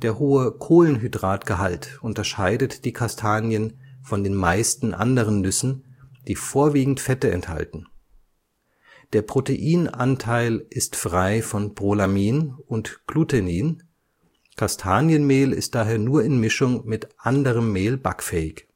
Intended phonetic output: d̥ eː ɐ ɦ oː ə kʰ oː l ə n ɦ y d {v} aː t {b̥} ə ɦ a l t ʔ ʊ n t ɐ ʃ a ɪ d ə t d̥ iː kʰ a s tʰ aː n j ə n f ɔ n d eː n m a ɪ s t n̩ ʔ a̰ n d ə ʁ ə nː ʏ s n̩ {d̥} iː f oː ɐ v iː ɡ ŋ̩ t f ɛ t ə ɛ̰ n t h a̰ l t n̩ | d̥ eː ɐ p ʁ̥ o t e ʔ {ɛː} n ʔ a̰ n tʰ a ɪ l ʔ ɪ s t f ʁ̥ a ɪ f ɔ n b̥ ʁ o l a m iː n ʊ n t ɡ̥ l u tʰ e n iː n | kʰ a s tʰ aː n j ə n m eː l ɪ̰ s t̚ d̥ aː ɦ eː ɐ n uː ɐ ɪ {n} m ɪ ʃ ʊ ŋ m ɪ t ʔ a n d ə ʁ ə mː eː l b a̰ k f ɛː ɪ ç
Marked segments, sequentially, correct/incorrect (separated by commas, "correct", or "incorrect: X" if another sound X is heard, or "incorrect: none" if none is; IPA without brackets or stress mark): incorrect: ʁ, incorrect: ɡ̥, correct, incorrect: iː, correct